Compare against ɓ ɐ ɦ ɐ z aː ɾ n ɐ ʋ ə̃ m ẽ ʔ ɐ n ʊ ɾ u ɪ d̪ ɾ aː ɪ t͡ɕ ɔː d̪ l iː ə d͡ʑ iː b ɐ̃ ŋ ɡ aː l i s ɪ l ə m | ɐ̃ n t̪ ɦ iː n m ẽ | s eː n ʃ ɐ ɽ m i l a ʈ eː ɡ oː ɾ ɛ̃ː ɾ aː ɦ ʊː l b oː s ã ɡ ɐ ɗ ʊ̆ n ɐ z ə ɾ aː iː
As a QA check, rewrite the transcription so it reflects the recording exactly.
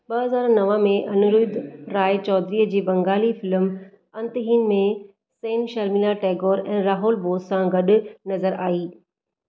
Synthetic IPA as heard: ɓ ɐ ɦ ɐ z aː ɾ n ɐ ʋ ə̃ m ẽ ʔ ɐ n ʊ ɾ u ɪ d̪ ɾ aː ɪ t͡ɕ ɔː d̪ ɾ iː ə d͡ʑ iː b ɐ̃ ŋ ɡ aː l i f ɪ l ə m | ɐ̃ n t̪ ɦ iː n m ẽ | s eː n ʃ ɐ ɾ m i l a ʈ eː ɡ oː ɾ ɛ̃ː ɾ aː ɦ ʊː l b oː s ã ɡ ɐ ɗ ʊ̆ n ɐ z ə ɾ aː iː